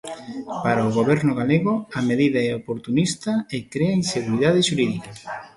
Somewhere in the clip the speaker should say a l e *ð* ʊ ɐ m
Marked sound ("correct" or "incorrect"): incorrect